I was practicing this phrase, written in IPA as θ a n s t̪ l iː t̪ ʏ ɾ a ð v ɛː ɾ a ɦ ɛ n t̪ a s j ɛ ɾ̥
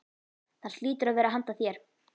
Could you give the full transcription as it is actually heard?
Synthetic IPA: θ a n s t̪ l iː t̪ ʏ ɾ a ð v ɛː ɾ a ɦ a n t̪ a θ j ɛ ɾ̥